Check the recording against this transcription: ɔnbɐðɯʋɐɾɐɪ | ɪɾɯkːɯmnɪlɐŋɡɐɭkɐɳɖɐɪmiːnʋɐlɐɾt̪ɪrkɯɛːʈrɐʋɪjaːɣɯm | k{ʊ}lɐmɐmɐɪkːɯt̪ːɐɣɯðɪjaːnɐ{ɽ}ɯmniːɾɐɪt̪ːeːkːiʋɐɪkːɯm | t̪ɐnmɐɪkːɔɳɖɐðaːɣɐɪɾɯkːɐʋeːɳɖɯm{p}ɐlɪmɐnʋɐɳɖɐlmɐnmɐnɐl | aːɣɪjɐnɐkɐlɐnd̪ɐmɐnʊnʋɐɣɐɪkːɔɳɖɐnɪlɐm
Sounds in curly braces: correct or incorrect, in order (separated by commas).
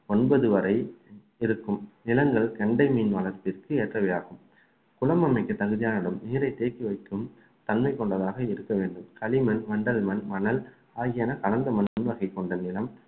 correct, correct, incorrect